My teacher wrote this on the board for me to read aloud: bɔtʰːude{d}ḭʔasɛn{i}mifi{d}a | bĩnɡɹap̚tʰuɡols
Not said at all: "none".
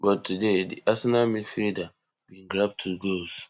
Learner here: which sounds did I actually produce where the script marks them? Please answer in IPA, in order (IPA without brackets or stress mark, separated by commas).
d, a, d